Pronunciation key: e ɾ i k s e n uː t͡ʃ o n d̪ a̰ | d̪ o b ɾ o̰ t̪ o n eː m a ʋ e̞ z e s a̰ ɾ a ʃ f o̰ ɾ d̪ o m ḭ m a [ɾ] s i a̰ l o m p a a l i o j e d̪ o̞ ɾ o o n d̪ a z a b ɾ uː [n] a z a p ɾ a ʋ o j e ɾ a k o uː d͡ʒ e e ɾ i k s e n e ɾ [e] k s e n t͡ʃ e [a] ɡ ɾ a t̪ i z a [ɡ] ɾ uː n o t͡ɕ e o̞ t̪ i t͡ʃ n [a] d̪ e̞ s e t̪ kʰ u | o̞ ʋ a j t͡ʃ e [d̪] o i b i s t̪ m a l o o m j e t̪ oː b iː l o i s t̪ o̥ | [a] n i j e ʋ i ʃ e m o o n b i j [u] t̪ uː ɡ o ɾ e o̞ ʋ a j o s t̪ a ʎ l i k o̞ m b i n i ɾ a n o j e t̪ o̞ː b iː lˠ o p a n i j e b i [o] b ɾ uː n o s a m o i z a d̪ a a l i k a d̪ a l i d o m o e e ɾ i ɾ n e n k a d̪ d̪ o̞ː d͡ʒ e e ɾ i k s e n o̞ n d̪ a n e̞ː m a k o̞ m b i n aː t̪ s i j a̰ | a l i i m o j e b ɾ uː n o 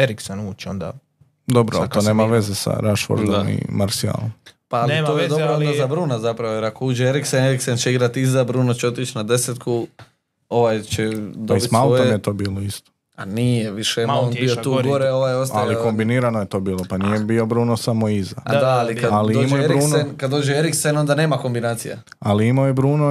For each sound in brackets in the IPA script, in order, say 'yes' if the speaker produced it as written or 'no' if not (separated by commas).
yes, yes, no, no, no, yes, yes, yes, no, yes